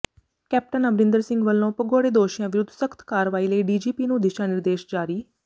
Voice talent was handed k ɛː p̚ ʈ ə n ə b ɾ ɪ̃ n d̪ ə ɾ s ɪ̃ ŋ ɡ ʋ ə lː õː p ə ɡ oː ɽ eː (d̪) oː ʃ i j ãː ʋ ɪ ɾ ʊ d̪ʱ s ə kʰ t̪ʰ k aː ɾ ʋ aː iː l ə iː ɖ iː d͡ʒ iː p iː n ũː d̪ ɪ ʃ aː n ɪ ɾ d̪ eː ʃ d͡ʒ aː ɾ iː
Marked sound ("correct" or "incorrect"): correct